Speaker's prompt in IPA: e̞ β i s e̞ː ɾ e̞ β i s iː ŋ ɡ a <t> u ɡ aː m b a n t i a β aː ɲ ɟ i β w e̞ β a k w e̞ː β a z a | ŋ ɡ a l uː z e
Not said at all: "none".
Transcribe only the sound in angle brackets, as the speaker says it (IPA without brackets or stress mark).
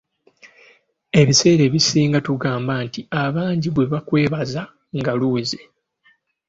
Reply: t